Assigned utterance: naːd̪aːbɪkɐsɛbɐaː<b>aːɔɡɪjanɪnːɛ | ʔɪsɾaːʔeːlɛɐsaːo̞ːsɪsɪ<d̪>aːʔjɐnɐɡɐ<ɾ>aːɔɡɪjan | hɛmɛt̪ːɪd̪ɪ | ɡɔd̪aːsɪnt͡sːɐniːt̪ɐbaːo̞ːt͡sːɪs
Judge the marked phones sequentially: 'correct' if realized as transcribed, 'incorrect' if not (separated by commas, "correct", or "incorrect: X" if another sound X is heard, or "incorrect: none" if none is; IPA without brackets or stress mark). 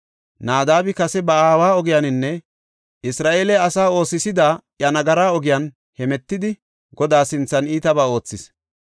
incorrect: w, correct, correct